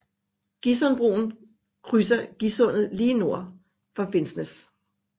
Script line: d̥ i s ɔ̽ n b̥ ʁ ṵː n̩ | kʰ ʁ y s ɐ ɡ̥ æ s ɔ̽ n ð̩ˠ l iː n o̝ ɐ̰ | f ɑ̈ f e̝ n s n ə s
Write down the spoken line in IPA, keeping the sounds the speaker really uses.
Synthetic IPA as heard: ɡ̥ i s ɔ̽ n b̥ ʁ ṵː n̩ | kʰ ʁ y s ɐ ɡ̥ i s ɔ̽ n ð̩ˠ l iː n o̝ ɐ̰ | f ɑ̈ f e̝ n s n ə s